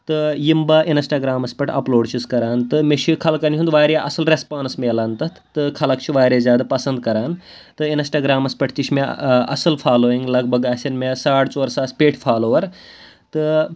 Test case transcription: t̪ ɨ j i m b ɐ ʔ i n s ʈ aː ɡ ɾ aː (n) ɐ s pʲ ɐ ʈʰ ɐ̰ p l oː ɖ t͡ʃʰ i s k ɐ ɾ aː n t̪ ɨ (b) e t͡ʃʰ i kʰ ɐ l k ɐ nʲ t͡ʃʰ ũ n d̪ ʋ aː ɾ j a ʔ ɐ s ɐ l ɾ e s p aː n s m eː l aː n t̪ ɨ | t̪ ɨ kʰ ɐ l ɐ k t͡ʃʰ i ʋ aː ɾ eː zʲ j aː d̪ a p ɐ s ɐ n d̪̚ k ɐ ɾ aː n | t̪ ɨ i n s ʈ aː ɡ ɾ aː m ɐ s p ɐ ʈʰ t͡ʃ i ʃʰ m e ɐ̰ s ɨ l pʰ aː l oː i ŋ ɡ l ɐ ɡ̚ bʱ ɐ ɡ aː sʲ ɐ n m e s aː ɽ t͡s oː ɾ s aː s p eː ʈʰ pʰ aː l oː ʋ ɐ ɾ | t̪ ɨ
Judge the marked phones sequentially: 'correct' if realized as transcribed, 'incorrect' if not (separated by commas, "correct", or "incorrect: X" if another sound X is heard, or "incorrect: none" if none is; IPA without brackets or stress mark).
incorrect: m, incorrect: m